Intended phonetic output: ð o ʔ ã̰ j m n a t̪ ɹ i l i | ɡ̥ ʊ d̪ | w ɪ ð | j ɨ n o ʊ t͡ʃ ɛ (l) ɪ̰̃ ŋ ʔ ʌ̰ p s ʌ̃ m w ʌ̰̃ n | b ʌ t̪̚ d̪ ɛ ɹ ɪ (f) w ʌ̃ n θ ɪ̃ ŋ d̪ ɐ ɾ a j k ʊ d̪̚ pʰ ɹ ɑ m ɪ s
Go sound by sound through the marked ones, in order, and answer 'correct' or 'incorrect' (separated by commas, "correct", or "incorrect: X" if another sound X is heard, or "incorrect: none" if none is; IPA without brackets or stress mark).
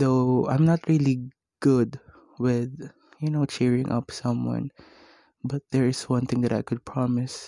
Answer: incorrect: ɹ, incorrect: s